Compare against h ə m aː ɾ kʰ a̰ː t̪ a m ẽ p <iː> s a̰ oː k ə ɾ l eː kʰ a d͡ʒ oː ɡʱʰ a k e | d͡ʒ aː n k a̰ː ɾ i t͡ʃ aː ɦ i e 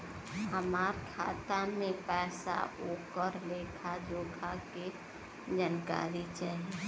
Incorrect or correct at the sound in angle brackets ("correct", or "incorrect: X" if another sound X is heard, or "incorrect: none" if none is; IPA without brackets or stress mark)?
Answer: incorrect: ɛː